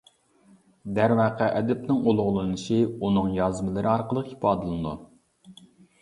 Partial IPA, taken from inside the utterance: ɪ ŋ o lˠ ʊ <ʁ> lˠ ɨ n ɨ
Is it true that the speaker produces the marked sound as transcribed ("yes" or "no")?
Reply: yes